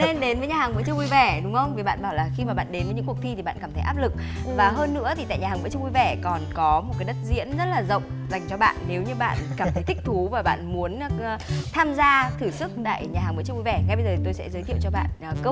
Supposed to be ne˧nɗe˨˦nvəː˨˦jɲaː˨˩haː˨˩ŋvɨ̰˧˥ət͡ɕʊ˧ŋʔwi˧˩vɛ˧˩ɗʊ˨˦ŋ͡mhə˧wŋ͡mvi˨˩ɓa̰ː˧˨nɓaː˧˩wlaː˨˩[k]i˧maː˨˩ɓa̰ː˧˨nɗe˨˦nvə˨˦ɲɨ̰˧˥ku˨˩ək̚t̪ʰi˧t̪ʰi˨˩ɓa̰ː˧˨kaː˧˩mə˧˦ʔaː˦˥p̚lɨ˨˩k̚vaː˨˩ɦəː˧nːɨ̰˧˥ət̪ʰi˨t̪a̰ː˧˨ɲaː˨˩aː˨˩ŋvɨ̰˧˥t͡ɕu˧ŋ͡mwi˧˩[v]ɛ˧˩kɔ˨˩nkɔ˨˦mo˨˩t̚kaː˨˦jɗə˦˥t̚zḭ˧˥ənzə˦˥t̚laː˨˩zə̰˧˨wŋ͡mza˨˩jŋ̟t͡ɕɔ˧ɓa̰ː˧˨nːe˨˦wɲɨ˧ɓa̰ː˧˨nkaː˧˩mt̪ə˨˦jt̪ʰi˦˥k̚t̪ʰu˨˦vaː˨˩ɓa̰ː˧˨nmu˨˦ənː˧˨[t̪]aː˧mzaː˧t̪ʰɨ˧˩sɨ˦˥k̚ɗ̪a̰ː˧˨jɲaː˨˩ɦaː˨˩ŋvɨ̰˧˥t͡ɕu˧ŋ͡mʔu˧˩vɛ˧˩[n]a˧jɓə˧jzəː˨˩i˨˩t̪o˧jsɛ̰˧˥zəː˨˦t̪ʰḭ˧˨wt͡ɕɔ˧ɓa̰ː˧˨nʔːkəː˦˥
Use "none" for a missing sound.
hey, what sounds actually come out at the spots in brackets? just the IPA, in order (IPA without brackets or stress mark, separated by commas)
x, v, t̪ʰ, ŋ